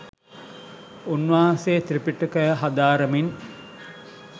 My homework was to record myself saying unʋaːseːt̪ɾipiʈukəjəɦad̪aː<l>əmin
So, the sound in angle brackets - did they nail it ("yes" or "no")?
no